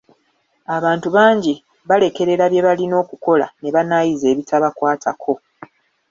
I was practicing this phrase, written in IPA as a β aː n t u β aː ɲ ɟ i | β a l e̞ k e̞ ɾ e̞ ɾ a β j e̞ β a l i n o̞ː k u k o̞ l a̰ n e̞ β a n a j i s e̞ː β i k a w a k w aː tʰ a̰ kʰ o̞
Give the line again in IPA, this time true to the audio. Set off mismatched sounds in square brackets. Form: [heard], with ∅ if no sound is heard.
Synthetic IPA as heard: a β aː n t u β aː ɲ ɟ i | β a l e̞ k e̞ ɾ e̞ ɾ a β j e̞ β a l i n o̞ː k u k o̞ l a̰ n e̞ β a n a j i [z] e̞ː β i [t] a [β] a k w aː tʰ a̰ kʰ o̞